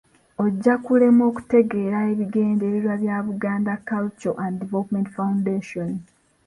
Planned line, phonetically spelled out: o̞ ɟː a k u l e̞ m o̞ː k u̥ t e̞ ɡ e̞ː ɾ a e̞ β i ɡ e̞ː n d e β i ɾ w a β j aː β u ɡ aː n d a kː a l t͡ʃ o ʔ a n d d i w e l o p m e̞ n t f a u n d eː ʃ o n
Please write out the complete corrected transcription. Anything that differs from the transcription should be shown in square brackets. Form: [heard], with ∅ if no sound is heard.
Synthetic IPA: o̞ ɟː a k u l e̞ m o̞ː k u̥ t e̞ ɡ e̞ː ɾ a e̞ β i ɡ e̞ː n d e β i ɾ w a β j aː β u ɡ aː n d a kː a l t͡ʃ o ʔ a n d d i [v] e l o p m e̞ n t f a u n d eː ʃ o n